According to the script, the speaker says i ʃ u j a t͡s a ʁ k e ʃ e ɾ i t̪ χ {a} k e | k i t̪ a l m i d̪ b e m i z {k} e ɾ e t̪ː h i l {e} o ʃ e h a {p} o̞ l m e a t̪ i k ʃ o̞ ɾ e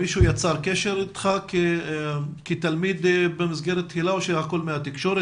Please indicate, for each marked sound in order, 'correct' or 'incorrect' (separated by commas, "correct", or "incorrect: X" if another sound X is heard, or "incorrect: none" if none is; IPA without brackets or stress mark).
correct, incorrect: ɡ, incorrect: a, incorrect: k